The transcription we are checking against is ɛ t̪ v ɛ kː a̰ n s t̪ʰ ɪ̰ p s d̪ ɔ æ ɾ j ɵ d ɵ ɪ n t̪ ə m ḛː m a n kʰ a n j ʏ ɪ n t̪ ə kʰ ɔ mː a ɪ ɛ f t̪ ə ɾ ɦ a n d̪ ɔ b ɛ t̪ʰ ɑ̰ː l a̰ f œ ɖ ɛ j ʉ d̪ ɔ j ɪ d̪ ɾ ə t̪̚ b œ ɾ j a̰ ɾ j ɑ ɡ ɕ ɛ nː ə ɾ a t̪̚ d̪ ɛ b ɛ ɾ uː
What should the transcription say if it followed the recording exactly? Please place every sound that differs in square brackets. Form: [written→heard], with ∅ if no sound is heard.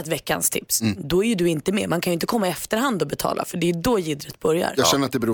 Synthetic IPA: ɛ t̪ v ɛ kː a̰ n s t̪ʰ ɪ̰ p s d̪ ɔ æ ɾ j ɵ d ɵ ɪ n t̪ ə m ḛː m a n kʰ a n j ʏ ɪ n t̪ ə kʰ ɔ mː a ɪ ɛ f t̪ ə ɾ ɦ a n d̪ ɔ b ɛ t̪ʰ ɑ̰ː l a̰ f œ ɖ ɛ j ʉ d̪ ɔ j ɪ d̪ ɾ ə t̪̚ b œ ɾ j a̰ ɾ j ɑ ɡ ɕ ɛ nː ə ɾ a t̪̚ d̪ ɛ b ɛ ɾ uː